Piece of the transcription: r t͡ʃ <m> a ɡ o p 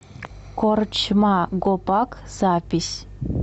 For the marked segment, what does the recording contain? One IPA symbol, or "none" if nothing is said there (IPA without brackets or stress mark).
m